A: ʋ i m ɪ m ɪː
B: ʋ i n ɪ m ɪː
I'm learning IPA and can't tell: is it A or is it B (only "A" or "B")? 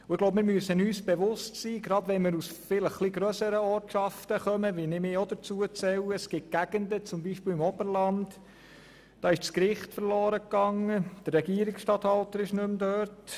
B